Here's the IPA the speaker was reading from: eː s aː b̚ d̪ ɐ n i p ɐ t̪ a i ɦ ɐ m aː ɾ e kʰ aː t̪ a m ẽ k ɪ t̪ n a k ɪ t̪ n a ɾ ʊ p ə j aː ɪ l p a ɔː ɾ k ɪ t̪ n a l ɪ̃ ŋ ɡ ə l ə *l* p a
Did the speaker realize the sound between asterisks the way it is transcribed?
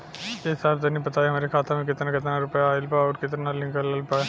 yes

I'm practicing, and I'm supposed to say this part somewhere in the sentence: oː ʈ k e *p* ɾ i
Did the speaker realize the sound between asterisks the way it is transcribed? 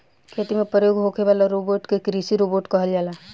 no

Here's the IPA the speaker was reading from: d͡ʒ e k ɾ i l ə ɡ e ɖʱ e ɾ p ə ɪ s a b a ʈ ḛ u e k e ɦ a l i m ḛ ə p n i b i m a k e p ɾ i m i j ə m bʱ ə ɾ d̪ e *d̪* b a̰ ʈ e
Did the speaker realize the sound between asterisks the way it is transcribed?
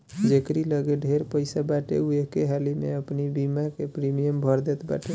no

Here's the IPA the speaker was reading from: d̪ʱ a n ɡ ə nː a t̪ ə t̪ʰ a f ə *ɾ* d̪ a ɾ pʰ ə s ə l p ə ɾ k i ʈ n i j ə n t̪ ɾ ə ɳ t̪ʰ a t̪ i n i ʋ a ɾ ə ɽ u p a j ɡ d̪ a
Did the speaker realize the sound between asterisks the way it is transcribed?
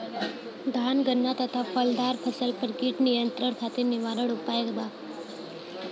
no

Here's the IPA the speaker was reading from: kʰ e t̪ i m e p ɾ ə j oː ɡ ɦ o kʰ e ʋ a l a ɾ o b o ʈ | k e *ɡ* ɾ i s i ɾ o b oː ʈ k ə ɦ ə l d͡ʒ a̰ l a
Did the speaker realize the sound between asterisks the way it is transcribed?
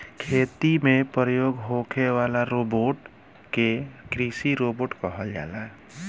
no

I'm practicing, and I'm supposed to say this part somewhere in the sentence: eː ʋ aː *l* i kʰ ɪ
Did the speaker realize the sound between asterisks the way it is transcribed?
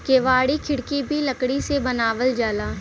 no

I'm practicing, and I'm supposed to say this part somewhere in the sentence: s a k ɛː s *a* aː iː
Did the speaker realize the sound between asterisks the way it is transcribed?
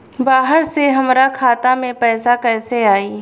no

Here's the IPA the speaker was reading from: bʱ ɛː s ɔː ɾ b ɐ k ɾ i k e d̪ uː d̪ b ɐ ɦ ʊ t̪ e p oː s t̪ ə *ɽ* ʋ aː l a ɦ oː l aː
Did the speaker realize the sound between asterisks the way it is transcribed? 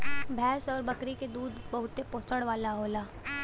yes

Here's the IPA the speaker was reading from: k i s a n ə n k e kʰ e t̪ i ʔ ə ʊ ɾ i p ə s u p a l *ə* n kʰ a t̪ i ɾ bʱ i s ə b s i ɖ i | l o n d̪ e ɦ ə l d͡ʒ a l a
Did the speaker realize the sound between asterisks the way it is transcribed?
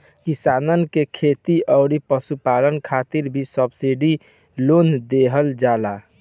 yes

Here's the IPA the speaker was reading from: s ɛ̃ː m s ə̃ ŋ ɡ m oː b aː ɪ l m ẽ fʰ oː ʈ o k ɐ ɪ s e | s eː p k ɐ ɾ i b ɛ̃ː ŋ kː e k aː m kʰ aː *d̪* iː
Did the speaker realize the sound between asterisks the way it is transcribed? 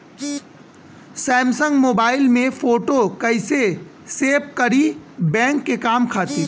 no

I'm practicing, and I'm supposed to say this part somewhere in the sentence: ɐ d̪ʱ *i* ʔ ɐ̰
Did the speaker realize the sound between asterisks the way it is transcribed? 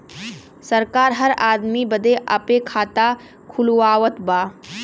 no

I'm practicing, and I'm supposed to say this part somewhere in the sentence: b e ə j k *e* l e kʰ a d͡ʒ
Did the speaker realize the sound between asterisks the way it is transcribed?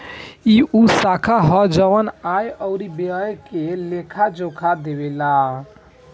yes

